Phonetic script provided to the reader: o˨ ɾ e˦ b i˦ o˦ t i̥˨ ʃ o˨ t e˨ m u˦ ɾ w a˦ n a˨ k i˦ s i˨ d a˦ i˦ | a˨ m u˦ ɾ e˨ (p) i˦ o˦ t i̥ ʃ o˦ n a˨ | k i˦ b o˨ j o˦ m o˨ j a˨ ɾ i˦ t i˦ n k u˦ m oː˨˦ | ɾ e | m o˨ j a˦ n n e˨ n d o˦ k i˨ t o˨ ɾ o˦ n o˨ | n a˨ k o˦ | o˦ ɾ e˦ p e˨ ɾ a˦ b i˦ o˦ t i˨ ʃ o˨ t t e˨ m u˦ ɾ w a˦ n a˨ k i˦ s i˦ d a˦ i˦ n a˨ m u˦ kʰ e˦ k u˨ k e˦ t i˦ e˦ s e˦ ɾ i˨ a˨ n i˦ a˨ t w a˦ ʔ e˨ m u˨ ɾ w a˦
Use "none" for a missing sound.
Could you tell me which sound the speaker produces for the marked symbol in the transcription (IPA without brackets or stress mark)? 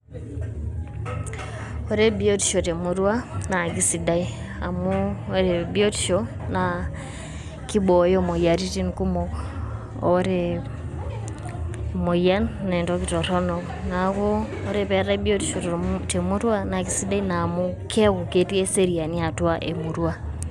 b